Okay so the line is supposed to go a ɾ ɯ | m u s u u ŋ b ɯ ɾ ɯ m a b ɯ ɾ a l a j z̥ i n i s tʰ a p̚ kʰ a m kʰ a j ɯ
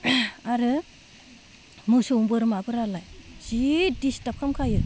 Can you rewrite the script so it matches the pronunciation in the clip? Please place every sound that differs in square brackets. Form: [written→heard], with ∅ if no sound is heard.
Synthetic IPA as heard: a ɾ ɯ | m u s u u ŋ b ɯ ɾ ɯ m a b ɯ ɾ a l a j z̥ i [n→d] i s [tʰ→t] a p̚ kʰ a m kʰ a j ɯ